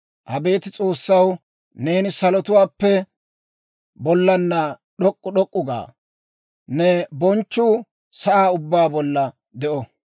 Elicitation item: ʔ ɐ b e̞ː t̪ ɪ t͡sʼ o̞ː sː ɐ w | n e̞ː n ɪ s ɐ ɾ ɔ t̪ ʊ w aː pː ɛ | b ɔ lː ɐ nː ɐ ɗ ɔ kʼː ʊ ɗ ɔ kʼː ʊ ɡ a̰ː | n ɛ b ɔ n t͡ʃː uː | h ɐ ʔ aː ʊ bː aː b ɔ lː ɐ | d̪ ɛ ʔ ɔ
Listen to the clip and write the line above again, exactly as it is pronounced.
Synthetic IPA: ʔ ɐ b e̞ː t̪ ɪ t͡sʼ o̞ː sː ɐ w | n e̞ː n ɪ s ɐ l ɔ t̪ ʊ w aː pː ɛ | b ɔ lː ɐ nː ɐ ɗ ɔ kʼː ʊ ɗ ɔ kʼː ʊ ɡ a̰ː | n ɛ b ɔ n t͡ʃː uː | s ɐ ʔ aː ʊ bː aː b ɔ lː ɐ | d̪ ɛ ʔ ɔ